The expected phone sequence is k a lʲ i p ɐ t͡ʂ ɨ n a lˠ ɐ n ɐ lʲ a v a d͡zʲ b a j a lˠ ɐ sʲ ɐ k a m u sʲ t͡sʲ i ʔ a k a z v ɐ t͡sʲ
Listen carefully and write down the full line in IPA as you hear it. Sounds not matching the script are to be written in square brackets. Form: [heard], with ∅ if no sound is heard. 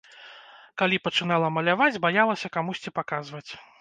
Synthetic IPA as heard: k a lʲ i p ɐ t͡ʂ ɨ n a lˠ ɐ [m] ɐ lʲ a v a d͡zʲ b a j a lˠ ɐ sʲ ɐ k a m u sʲ t͡sʲ i [p] a k a z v ɐ t͡sʲ